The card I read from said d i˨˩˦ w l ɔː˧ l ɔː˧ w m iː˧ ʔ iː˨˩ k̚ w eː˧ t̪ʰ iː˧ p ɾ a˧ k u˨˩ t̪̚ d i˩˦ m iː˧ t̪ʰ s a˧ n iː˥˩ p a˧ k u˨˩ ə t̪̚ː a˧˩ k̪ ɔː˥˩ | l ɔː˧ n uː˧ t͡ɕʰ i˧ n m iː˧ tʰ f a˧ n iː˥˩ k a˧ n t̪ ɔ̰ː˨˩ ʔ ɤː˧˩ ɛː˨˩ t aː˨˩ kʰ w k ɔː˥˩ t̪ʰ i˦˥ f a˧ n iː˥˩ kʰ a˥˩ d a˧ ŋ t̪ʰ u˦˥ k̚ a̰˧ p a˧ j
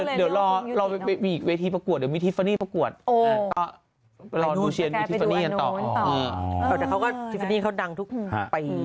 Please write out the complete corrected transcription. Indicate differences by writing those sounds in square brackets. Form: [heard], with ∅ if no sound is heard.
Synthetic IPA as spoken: d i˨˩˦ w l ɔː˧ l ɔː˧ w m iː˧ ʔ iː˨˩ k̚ w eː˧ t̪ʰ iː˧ p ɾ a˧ k u˨˩ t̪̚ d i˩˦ m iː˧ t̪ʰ [f] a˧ n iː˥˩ p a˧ k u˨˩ ə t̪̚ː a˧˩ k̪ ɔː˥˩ | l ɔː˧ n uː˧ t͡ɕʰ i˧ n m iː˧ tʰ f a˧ n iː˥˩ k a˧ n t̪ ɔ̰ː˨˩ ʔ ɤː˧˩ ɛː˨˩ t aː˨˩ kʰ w k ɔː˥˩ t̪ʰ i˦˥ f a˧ n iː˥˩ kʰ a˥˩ d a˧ ŋ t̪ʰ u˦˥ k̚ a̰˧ p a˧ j